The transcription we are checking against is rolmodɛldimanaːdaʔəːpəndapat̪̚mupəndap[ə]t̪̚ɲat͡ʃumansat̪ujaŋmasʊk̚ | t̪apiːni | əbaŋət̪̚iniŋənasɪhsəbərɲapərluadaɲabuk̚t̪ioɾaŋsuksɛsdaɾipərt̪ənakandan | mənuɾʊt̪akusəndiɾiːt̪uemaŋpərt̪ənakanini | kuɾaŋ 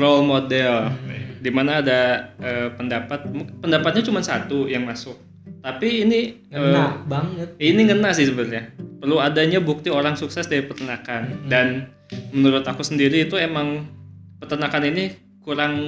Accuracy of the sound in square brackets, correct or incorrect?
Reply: incorrect